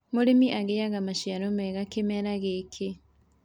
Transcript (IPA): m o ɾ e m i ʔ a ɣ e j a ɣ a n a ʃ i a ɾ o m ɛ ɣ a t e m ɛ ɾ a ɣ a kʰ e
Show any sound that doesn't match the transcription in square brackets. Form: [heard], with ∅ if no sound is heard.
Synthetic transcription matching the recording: m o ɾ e m i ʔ a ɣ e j a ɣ a [m] a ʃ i a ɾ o m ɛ ɣ a [k] e m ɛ ɾ a ɣ [e] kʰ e